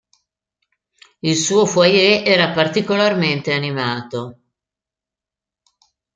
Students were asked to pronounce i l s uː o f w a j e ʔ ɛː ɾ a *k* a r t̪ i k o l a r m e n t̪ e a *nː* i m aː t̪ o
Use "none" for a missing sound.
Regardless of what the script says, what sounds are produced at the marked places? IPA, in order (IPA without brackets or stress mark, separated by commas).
p, n